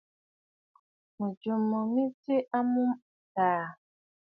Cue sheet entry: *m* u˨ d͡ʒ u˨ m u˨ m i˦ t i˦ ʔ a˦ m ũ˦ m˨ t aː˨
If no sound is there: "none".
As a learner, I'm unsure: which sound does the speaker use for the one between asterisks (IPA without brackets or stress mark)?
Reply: m